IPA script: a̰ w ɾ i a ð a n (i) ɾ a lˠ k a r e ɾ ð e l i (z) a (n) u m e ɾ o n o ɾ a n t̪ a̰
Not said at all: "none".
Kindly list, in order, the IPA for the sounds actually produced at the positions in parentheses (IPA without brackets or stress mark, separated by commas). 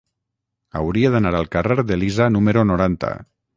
a, z, n